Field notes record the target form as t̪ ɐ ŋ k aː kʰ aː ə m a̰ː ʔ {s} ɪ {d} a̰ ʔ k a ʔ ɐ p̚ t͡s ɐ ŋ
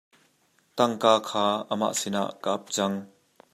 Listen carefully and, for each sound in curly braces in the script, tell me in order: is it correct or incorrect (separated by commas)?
correct, incorrect